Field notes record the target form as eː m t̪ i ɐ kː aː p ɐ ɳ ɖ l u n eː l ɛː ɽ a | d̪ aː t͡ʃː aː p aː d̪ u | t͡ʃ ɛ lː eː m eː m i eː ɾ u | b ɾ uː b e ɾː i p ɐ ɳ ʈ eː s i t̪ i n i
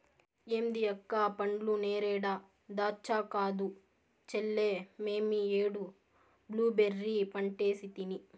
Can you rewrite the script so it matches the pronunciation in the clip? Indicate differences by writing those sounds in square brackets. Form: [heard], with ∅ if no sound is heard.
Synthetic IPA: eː m [d̪] i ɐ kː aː p ɐ ɳ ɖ l u n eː [ɾ] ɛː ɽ a | d̪ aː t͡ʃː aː [k] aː d̪ u | t͡ʃ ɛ lː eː m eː m i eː [ɽ] u | b [l] uː b e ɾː i p ɐ ɳ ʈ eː s i t̪ i n i